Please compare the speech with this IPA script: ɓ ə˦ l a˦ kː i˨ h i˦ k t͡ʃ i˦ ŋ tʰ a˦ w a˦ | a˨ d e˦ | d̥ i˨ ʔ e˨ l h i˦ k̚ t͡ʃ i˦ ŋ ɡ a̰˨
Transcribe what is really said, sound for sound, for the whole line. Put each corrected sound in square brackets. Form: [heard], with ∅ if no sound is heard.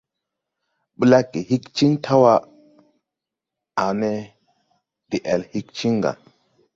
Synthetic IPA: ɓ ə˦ l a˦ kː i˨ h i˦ k t͡ʃ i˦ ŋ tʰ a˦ w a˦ | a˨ [n] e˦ | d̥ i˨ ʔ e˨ l h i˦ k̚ t͡ʃ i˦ ŋ ɡ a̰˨